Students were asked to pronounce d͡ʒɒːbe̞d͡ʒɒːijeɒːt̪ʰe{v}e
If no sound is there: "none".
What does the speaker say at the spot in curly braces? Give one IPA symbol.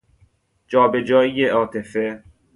f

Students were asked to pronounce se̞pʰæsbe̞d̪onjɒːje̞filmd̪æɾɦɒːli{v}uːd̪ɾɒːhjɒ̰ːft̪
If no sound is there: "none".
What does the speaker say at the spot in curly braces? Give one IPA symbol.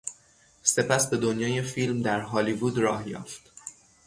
v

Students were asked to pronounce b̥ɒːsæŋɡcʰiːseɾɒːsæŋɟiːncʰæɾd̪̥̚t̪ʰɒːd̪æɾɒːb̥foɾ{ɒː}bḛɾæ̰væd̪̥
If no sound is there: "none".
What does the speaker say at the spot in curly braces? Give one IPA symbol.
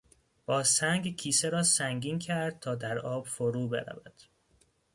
uː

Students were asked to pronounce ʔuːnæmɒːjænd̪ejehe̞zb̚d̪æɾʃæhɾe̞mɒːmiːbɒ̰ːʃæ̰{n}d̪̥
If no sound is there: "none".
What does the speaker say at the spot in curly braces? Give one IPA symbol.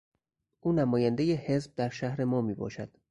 none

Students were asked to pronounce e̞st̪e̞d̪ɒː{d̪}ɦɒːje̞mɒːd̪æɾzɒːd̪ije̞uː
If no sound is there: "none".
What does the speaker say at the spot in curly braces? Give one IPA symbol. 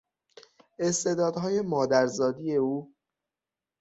d̪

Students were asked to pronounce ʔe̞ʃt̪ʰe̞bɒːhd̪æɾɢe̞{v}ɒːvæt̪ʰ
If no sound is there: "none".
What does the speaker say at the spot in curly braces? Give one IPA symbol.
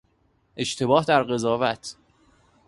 z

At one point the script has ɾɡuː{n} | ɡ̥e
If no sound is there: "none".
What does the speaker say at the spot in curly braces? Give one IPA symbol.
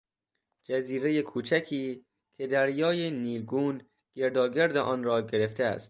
n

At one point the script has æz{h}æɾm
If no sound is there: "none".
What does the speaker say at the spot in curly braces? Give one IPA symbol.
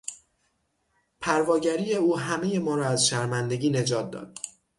ʃ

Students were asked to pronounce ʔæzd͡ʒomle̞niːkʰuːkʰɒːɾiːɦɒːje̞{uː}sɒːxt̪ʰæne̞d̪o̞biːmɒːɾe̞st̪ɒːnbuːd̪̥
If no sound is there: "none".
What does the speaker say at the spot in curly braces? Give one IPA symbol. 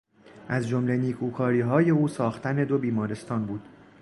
uː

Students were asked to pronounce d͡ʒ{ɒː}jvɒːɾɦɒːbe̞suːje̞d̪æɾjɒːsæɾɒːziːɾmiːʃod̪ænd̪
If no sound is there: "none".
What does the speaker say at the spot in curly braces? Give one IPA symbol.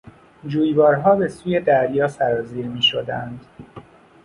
uː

